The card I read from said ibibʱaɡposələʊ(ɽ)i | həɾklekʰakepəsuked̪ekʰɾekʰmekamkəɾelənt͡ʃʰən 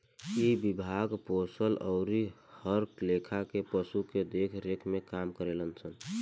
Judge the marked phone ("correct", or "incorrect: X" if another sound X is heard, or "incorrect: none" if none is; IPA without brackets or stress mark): incorrect: ɾ